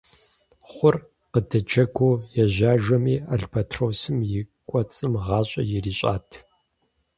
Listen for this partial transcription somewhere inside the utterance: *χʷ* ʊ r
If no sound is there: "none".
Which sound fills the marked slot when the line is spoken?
χʷ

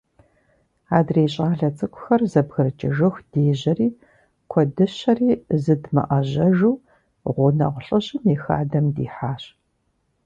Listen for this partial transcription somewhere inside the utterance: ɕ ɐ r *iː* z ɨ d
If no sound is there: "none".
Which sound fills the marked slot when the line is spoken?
iː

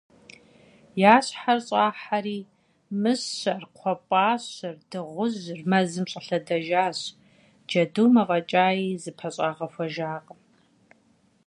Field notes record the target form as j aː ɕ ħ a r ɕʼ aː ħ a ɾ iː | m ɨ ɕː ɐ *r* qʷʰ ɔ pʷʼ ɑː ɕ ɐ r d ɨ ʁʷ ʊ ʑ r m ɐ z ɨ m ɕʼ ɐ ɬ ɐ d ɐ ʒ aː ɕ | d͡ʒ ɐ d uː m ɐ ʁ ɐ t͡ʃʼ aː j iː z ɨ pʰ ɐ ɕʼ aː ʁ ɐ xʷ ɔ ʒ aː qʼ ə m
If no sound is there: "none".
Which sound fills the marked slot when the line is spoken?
r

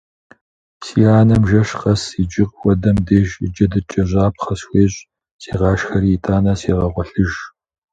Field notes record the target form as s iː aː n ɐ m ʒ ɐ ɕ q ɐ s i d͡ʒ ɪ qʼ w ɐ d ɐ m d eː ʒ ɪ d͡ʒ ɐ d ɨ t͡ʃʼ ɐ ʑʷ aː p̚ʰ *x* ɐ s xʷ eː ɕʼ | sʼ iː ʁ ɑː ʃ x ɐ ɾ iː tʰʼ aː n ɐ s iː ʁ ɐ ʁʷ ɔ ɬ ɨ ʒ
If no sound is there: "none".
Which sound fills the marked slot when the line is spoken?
χ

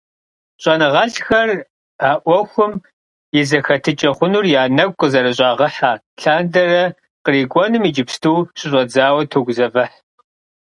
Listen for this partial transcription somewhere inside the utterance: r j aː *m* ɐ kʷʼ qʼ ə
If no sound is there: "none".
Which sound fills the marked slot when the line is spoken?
n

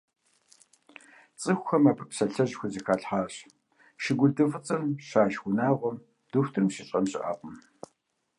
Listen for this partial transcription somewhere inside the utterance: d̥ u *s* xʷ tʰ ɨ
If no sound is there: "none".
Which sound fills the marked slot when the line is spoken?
none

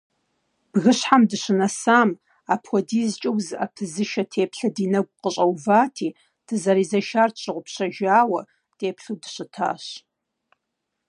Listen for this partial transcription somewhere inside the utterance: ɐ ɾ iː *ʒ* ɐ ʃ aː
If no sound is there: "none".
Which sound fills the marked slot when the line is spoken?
z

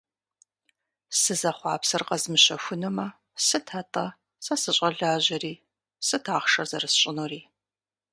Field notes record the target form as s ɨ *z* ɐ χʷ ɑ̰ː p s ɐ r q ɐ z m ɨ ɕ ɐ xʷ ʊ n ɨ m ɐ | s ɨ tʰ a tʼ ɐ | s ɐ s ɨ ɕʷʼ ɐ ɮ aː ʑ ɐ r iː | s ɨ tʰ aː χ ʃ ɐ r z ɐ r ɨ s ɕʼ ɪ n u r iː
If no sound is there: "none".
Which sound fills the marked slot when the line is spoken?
z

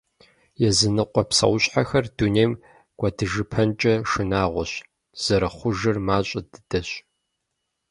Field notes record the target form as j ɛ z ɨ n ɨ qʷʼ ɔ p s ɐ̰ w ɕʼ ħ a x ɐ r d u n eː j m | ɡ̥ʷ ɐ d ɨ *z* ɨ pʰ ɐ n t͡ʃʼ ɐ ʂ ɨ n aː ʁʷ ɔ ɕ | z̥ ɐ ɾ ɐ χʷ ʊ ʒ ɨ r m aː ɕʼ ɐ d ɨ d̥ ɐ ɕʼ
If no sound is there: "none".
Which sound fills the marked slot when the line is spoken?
ʒ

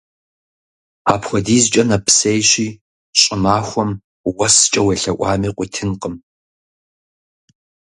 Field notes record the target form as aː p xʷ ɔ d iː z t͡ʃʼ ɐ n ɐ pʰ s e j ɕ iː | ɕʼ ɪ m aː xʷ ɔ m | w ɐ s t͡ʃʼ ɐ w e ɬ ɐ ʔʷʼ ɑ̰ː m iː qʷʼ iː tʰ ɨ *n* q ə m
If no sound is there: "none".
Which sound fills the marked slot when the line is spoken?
n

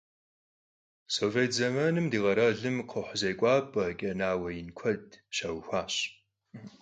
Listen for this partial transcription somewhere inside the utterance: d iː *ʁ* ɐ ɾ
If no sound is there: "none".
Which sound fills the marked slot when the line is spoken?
ʁ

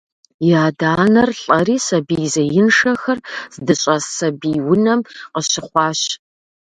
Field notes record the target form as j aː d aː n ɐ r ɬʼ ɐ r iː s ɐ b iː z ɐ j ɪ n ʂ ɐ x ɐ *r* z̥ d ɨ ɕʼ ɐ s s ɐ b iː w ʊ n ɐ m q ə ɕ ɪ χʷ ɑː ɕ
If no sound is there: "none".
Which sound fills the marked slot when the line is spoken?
r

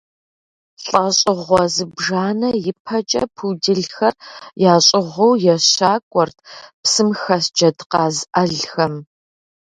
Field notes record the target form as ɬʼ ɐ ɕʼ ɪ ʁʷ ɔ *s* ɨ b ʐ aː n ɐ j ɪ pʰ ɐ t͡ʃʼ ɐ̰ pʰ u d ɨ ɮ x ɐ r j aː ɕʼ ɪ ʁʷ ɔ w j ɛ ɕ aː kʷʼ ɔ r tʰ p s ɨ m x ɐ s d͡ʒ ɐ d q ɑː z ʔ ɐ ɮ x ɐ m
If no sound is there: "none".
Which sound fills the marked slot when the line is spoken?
z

